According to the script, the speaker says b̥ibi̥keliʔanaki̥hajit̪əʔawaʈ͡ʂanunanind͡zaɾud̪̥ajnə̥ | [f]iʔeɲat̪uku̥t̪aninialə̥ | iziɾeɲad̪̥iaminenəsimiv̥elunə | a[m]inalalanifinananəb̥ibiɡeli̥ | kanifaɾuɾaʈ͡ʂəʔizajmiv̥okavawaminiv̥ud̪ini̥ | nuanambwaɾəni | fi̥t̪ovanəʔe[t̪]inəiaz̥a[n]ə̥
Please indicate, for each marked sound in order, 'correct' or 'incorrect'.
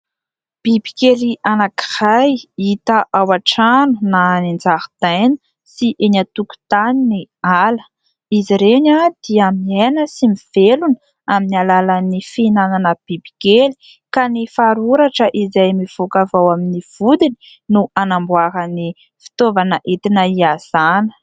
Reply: incorrect: s, correct, correct, correct

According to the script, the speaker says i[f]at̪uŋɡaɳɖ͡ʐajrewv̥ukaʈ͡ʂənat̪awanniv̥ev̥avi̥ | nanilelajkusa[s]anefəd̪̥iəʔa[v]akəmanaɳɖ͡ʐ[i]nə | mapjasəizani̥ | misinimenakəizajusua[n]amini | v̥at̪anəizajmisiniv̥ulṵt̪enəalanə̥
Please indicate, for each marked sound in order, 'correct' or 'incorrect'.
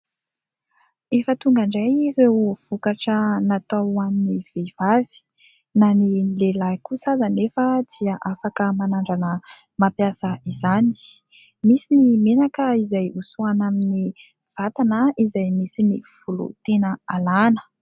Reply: correct, incorrect: z, incorrect: f, incorrect: a, correct

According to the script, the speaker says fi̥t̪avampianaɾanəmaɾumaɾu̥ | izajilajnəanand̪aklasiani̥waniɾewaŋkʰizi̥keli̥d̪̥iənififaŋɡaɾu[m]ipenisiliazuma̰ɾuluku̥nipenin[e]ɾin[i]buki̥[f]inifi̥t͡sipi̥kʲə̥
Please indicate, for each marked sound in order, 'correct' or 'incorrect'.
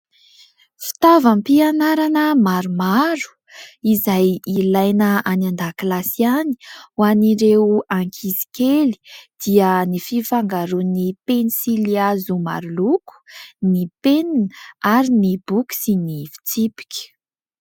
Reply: incorrect: n, incorrect: a, correct, incorrect: s

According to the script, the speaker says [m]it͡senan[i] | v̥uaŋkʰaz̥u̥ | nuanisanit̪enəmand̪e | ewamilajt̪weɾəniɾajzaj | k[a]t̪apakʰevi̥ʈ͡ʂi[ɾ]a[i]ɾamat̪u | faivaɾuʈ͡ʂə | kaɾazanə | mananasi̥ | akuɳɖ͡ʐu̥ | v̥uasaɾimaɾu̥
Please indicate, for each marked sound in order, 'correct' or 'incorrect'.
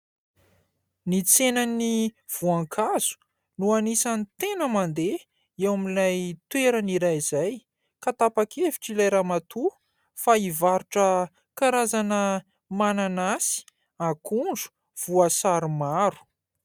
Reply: incorrect: n, correct, correct, incorrect: l, incorrect: j

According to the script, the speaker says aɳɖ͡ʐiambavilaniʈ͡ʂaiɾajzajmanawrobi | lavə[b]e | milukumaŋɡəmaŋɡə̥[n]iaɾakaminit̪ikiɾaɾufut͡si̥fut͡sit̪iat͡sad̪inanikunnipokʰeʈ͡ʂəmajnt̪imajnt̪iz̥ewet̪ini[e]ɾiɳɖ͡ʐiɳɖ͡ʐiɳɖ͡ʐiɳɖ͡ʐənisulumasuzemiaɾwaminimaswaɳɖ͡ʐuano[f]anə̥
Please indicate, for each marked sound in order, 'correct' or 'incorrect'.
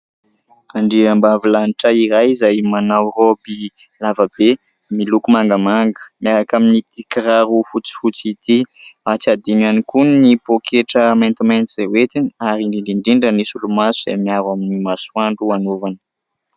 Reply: correct, incorrect: m, incorrect: a, incorrect: v

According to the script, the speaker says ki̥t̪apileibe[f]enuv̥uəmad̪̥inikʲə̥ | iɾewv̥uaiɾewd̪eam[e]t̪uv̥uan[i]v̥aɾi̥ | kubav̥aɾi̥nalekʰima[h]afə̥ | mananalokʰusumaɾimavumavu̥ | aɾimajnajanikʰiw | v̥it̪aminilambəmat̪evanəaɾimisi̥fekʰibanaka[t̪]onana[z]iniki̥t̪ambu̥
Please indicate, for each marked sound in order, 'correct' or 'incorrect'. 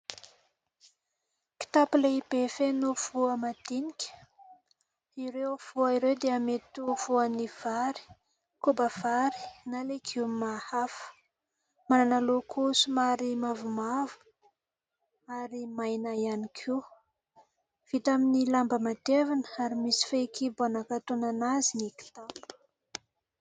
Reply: correct, correct, correct, correct, correct, correct

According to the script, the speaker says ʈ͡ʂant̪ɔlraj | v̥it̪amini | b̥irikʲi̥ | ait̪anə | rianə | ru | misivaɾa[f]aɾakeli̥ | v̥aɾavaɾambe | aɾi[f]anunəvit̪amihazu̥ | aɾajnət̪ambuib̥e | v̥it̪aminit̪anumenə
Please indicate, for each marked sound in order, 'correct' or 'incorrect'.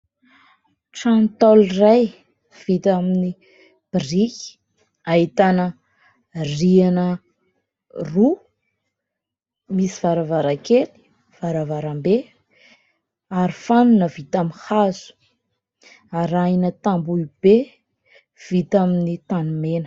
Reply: incorrect: v, correct

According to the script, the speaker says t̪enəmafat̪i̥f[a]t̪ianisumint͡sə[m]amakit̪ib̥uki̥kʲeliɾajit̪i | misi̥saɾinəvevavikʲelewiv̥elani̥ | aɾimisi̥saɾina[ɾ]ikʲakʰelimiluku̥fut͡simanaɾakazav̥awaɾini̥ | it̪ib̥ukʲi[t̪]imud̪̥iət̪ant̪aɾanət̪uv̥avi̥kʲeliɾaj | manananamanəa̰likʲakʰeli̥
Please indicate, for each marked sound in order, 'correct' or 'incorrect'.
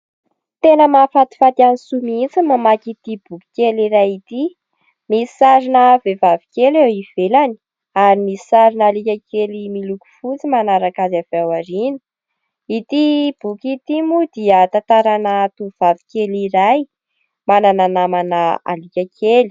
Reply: correct, correct, incorrect: l, correct

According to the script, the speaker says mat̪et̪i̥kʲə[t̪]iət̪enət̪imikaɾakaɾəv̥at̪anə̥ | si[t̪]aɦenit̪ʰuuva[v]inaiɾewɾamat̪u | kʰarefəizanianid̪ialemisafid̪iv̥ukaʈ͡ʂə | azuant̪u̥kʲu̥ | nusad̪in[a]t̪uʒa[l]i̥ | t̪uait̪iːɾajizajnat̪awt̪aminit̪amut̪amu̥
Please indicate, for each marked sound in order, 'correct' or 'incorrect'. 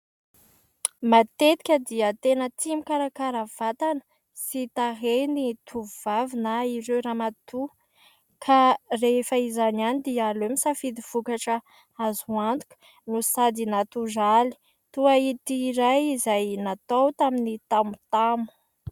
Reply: incorrect: d̪, correct, correct, correct, correct

